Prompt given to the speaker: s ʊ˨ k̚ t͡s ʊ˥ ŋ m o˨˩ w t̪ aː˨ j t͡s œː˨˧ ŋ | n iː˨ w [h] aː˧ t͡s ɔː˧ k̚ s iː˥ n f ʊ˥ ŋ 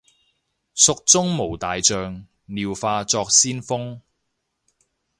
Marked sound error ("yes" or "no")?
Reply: yes